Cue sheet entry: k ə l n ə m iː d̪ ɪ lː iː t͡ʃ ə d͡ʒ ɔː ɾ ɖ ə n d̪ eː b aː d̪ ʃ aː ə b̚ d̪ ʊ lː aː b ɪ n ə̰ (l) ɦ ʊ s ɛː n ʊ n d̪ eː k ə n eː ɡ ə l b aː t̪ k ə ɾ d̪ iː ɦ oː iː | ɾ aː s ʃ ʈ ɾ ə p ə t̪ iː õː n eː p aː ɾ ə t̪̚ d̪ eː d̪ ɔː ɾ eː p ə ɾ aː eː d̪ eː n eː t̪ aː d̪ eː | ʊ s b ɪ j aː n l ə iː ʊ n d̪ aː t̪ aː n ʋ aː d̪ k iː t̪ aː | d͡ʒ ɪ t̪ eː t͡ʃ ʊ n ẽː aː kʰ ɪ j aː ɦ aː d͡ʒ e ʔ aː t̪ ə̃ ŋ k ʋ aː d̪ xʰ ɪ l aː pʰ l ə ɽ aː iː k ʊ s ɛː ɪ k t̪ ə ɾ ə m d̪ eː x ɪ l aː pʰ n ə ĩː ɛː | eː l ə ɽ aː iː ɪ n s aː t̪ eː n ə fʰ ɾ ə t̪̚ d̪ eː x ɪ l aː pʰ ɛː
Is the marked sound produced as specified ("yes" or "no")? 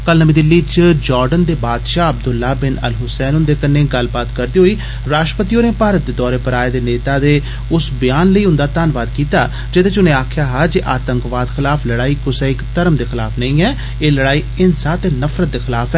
yes